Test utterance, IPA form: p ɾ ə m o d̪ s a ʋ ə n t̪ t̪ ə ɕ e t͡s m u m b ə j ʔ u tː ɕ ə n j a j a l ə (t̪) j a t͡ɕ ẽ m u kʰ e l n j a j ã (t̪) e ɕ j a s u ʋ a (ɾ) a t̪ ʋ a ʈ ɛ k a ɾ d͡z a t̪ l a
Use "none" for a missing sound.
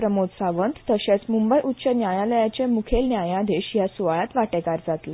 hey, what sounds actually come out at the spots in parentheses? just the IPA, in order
none, d̪, ɭ

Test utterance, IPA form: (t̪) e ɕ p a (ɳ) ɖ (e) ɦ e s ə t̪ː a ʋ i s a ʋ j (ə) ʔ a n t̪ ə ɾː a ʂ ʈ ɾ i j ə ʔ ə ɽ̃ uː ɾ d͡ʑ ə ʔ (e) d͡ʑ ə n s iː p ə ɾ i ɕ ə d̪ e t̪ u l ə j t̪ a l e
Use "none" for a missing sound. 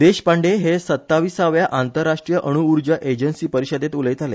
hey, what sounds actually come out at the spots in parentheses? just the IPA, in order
d̪, ɳ, e, a, e

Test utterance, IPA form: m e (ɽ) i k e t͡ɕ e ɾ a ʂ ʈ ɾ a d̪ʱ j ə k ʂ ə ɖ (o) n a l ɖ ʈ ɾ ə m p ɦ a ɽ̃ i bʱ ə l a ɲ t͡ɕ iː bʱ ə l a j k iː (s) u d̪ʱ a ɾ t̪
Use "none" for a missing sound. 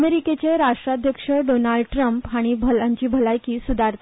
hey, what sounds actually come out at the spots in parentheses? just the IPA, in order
ɾ, o, s

